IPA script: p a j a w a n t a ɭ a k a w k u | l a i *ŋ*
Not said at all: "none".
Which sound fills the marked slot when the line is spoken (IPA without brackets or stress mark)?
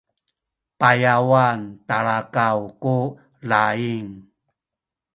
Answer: ŋ